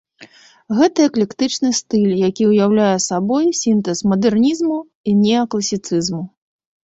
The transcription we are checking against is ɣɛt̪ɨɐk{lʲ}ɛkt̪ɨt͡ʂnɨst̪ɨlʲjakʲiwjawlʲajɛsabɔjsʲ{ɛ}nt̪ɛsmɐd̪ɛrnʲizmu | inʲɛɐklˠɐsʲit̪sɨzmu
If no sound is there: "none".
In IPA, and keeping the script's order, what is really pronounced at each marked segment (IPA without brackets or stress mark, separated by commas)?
lʲ, i